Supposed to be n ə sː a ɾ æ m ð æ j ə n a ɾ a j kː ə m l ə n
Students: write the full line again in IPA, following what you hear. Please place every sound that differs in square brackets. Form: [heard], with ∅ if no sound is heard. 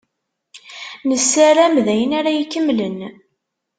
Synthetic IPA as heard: n ə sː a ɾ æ m ð æ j ə n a ɾ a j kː ə m l ə n